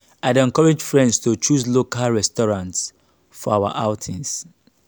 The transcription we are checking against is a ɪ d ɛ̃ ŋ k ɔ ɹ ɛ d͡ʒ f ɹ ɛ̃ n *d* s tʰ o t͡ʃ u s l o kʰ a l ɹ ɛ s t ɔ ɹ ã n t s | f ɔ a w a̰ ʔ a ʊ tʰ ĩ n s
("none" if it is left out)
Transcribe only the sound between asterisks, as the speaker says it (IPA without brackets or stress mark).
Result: d